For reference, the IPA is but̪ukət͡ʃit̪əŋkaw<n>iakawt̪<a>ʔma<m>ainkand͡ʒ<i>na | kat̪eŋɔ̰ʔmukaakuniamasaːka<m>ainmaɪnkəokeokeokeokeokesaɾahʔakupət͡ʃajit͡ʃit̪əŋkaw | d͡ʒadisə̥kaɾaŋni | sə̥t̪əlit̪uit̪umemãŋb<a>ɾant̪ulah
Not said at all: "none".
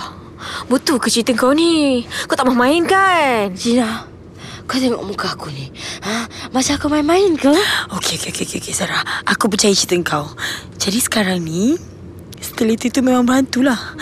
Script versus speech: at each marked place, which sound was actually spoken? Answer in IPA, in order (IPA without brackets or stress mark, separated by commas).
n, a, m, i, m, ə